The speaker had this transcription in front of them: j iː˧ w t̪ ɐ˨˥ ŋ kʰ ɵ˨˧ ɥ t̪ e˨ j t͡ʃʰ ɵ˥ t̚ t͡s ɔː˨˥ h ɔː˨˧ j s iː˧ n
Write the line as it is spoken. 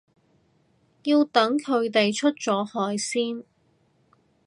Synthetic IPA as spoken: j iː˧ w t̪ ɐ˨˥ ŋ kʰ ɵ˨˧ ɥ t̪ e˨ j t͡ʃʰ ɵ˥ t̚ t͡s ɔː˨˥ h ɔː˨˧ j s iː˥ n